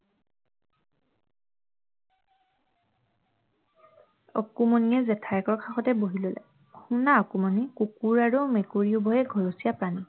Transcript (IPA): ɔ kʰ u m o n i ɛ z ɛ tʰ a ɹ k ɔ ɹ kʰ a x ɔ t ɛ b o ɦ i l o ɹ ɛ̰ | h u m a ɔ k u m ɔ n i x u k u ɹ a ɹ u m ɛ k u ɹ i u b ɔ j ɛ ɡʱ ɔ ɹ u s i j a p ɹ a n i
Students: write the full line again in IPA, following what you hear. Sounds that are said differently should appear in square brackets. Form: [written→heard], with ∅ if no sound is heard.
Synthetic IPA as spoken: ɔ [kʰ→k] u m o n i ɛ z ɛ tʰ a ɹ k ɔ ɹ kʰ a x ɔ t ɛ b o ɦ i l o [ɹ→l] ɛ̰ | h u [m→n] a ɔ k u m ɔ n i [x→k] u k u ɹ a ɹ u m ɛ k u ɹ i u b ɔ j ɛ ɡʱ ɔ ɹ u s i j a p ɹ a n i